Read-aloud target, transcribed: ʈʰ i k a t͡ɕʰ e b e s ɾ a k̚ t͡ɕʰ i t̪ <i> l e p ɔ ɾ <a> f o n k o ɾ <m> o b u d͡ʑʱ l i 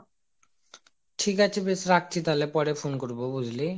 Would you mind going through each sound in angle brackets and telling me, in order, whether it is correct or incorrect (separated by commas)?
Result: incorrect, incorrect, incorrect